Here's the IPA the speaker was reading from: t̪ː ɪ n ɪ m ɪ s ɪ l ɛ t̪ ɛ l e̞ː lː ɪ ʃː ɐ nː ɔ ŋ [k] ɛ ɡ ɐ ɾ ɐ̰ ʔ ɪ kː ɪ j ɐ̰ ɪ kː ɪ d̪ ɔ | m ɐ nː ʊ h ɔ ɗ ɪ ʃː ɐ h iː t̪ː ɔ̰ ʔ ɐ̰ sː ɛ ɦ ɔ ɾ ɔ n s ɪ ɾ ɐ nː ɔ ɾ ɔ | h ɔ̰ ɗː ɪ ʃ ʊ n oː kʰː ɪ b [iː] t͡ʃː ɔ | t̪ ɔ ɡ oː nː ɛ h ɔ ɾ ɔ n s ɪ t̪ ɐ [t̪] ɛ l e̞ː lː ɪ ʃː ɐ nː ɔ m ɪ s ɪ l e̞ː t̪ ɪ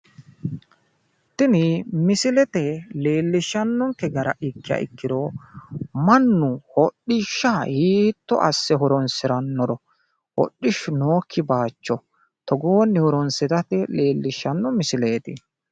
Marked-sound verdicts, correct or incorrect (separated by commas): correct, incorrect, correct